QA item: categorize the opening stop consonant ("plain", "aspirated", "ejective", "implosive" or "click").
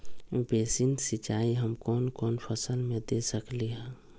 plain